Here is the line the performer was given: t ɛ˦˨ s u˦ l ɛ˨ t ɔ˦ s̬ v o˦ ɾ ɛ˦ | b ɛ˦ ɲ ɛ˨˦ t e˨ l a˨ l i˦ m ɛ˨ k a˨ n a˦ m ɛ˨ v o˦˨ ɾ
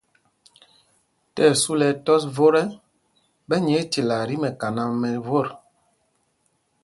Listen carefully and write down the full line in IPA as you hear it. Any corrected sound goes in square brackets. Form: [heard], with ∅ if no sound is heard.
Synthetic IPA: t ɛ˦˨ s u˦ l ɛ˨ t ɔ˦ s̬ v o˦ ɾ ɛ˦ | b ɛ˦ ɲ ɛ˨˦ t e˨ l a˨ [ɾ] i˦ m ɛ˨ k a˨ n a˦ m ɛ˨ v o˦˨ ɾ

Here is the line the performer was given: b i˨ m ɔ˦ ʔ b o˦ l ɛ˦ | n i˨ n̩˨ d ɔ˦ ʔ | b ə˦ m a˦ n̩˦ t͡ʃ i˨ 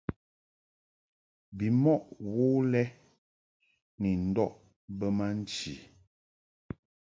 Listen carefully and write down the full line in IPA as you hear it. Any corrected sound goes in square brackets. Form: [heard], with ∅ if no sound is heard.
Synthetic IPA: b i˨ m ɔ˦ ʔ [w] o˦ l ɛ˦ | n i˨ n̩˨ d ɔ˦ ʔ | b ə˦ m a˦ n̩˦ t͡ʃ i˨

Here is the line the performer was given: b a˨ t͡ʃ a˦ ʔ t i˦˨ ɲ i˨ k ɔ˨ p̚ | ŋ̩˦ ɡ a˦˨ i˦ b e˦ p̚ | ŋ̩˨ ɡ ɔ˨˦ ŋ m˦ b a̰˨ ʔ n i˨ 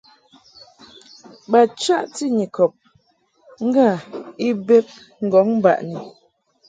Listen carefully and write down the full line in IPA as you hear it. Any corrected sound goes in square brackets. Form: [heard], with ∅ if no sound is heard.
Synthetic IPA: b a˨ t͡ʃ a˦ ʔ t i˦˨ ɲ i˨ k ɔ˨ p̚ | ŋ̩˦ ɡ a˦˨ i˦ b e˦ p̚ | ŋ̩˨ ɡ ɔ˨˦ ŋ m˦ b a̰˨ ʔ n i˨

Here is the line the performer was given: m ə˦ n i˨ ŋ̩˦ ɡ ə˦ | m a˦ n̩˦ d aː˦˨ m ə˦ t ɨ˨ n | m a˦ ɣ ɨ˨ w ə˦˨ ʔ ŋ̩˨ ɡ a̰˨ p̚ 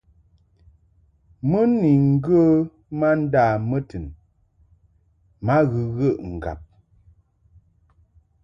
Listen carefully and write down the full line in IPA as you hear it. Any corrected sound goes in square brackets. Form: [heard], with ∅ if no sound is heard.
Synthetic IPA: m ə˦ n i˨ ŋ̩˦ ɡ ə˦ | m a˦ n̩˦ d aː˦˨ m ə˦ t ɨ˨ n | m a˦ ɣ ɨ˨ [ɣ] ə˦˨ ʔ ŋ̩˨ ɡ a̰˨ p̚

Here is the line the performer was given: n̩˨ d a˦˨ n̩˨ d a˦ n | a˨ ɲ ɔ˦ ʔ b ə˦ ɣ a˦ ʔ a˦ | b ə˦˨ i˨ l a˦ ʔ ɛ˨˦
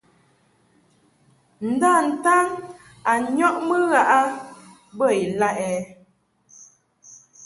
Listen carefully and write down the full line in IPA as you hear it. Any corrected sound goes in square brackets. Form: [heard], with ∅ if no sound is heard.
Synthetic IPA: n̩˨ d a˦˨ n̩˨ [t] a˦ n | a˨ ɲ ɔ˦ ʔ [m] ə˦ ɣ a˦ ʔ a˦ | b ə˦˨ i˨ l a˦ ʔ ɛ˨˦

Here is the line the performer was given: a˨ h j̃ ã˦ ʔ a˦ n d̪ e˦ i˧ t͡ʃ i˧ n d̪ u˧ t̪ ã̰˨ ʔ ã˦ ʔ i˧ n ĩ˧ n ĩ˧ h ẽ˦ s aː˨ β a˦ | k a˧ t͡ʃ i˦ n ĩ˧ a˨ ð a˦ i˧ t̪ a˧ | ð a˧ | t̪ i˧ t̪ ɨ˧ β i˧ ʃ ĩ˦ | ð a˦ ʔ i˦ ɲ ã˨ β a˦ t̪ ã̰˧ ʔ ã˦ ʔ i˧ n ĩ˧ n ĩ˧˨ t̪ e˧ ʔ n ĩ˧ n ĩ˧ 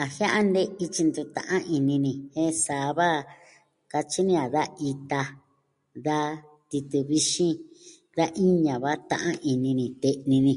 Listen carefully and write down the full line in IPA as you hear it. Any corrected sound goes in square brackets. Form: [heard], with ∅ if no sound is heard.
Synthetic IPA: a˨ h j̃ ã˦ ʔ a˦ n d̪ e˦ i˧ t͡ʃ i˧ n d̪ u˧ t̪ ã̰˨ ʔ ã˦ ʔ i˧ n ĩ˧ n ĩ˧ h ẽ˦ s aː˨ β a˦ | k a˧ t͡ʃ i˦ n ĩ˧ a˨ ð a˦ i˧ t̪ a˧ | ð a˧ | t̪ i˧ t̪ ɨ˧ β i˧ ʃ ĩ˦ | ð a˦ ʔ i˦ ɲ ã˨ β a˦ t̪ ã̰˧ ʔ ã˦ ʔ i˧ n ĩ˧ n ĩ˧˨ t̪ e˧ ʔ n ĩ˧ n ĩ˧

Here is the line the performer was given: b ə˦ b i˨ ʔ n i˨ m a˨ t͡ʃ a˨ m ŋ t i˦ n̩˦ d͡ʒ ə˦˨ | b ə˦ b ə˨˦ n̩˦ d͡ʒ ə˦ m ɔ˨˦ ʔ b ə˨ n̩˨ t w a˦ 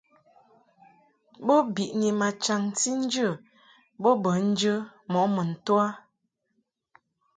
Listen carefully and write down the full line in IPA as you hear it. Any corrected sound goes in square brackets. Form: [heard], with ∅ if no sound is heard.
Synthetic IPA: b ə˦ b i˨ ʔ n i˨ m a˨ t͡ʃ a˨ [∅] ŋ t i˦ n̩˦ d͡ʒ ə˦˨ | b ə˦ b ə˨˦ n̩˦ d͡ʒ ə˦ m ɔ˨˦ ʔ [m] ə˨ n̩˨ t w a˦

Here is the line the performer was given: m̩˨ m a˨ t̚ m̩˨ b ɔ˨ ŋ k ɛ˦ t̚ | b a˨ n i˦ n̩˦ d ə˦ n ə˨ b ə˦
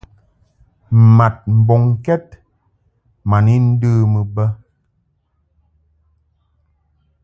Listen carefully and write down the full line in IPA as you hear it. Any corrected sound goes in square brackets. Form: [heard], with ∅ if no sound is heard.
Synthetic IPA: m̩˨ m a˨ t̚ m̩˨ b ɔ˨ ŋ k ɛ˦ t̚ | [m] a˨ n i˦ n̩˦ d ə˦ [m] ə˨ b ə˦

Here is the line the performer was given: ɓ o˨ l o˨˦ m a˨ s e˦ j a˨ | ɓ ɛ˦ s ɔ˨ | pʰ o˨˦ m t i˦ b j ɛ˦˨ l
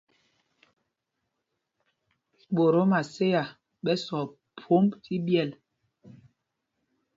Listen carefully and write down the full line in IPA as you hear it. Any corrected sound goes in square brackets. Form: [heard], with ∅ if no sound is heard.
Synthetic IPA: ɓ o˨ [ɾ] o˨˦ m a˨ s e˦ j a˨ | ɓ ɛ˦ s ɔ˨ | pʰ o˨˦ m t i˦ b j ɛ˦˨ l

